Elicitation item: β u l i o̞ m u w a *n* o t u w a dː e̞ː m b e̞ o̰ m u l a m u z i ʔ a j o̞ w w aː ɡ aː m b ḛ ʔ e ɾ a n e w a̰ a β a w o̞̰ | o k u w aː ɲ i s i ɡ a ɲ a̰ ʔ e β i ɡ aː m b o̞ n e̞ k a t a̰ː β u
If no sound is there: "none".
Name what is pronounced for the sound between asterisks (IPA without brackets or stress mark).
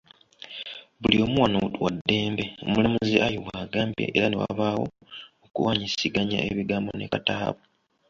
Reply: n